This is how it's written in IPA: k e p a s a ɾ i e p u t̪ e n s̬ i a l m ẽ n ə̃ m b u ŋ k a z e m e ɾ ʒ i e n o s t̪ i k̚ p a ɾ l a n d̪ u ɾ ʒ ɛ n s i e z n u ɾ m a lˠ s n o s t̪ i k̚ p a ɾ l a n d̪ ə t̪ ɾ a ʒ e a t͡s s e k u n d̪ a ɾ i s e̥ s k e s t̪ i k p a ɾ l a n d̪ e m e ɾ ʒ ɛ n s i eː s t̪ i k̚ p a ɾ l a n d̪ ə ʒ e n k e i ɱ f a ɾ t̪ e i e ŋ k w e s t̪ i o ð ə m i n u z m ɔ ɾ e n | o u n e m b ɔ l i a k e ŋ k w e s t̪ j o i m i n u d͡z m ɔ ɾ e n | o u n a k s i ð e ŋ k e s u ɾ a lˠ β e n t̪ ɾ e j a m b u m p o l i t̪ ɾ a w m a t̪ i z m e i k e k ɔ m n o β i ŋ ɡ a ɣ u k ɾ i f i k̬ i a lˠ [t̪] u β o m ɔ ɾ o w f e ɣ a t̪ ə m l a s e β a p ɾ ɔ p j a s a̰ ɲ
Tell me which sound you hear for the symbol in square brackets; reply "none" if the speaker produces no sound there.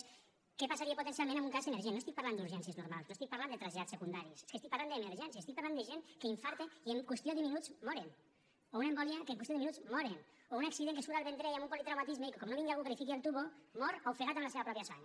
t̪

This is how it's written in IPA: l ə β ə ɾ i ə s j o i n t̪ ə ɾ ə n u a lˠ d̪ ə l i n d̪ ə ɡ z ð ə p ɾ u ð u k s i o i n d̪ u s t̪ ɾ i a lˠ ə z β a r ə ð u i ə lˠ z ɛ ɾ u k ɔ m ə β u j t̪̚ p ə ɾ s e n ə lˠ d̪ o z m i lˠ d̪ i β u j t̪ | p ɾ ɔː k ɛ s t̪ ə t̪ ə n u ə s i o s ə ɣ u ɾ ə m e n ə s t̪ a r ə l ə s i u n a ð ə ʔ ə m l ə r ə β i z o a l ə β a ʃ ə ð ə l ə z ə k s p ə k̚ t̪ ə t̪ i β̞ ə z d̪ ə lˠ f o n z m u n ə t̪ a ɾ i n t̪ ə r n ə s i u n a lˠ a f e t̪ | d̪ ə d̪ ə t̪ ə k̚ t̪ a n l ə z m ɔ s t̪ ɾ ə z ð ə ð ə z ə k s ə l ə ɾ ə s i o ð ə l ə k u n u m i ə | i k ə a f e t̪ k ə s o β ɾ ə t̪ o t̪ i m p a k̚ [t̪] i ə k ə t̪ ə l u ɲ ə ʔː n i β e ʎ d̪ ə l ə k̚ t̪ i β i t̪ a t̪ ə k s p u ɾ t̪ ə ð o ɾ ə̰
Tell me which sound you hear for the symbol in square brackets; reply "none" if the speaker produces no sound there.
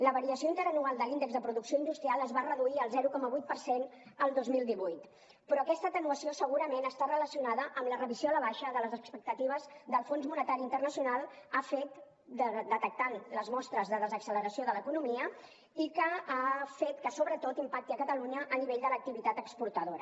t̪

